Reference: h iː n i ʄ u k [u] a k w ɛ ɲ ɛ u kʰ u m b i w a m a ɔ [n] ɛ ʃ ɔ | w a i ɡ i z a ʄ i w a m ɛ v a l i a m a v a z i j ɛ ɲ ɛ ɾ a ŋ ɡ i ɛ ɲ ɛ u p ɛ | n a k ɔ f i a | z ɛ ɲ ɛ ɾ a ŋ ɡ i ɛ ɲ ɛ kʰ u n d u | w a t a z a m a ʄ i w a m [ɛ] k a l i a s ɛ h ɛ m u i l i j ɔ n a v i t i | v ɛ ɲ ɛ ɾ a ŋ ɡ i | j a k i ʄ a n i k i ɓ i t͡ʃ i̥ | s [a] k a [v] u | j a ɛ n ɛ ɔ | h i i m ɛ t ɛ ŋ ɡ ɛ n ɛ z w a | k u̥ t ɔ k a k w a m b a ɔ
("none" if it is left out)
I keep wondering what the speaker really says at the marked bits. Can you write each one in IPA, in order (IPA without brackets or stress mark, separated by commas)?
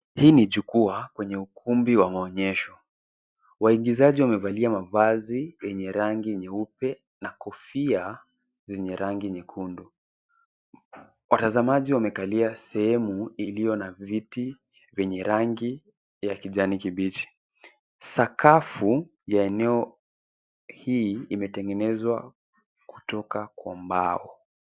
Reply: u, ɲ, ɛ, a, f